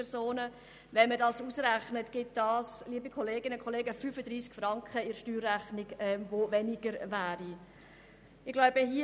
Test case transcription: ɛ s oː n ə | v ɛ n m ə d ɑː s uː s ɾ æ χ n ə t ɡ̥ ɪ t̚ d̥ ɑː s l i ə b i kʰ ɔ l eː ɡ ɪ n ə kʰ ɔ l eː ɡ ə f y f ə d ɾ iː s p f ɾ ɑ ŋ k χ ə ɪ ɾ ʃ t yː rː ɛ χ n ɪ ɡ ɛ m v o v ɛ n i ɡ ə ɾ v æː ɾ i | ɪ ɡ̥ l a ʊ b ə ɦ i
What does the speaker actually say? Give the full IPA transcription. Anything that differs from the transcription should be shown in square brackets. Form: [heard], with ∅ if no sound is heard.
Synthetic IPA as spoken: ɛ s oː n ə | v ɛ n m ə d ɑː s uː s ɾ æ χ n ə t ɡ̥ ɪ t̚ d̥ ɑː s l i ə b i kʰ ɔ l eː ɡ ɪ n ə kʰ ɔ l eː ɡ ə f y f ə d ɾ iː s [k] f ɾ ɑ ŋ k χ ə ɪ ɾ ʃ t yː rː [æ] χ n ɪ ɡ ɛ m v o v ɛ n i ɡ ə ɾ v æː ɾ i | ɪ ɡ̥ l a ʊ b ə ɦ i